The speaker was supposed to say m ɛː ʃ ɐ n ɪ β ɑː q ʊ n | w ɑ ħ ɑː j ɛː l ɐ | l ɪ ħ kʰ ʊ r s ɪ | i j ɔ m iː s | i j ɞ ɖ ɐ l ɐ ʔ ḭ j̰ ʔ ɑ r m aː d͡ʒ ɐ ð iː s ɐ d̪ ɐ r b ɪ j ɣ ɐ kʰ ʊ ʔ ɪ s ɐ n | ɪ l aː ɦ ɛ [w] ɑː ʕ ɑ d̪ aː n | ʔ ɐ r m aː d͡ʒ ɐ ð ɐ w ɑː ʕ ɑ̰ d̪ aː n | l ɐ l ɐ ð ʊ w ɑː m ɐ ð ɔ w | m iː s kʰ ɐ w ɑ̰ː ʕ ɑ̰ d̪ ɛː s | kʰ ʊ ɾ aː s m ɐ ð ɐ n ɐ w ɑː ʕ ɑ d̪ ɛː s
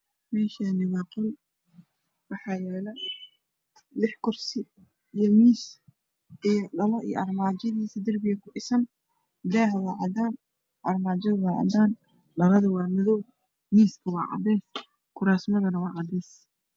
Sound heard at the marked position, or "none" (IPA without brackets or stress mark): w